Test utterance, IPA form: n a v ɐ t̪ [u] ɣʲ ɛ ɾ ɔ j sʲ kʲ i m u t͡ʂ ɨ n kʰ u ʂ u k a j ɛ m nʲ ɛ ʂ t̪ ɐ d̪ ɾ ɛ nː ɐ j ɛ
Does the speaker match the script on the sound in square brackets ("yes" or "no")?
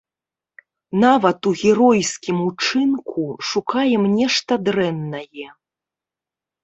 yes